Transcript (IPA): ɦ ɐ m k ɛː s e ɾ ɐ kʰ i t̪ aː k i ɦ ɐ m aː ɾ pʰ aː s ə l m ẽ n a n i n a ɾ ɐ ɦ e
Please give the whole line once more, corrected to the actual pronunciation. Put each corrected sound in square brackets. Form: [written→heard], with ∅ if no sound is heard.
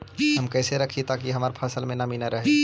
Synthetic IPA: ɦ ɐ m k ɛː s e ɾ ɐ kʰ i t̪ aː k i ɦ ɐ m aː ɾ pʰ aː s ə l m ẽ n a [n→m] i n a ɾ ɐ ɦ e